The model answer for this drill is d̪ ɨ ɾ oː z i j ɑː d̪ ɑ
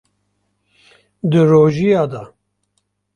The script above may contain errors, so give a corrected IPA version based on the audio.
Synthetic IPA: d̪ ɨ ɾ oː ʒ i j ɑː d̪ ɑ